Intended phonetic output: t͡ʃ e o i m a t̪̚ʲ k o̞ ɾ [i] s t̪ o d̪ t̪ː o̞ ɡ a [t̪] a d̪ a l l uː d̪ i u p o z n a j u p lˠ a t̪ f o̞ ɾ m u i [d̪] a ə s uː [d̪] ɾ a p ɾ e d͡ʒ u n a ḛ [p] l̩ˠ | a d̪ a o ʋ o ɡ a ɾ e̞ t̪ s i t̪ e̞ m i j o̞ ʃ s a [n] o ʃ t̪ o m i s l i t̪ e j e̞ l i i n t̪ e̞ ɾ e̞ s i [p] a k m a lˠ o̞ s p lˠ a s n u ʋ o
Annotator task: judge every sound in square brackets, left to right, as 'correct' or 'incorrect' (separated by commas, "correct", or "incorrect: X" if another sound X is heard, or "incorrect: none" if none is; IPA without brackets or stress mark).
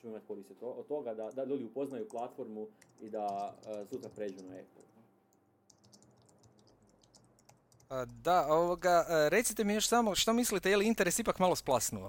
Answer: correct, incorrect: d̪, correct, incorrect: t̪, correct, incorrect: m, correct